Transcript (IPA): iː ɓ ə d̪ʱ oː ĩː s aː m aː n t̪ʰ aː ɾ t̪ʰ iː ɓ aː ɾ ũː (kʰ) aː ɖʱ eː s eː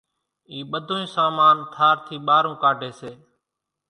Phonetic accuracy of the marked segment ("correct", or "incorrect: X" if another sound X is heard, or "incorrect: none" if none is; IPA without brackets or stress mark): incorrect: k